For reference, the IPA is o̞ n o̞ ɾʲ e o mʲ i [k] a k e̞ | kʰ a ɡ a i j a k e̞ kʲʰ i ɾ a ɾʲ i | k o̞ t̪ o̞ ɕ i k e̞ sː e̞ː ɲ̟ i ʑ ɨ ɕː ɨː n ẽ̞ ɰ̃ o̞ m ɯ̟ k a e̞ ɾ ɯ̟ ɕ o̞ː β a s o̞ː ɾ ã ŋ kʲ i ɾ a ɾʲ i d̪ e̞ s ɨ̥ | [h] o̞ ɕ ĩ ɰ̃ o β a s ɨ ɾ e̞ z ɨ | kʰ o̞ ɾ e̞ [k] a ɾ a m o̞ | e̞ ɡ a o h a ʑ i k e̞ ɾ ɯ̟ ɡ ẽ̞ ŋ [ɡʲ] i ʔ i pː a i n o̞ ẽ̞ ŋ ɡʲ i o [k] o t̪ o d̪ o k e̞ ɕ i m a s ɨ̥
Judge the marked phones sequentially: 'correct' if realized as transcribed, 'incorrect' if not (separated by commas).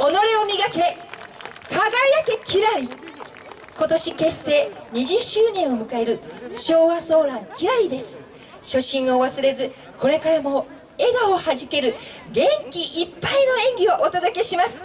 incorrect, incorrect, correct, incorrect, incorrect